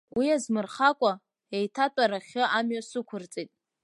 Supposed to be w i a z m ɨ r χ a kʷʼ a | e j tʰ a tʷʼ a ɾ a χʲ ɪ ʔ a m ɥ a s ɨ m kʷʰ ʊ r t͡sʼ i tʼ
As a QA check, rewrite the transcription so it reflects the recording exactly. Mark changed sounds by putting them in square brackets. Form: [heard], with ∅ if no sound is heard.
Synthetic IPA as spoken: w i a z m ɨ r χ a kʷʼ a | e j tʰ a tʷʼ a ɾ a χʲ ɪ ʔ a m ɥ a s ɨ [∅] kʷʰ ʊ r t͡sʼ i tʼ